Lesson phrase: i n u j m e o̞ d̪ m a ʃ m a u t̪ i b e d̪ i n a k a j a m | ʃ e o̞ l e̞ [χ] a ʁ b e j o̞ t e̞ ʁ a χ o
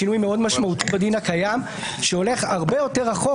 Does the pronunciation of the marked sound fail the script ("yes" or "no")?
no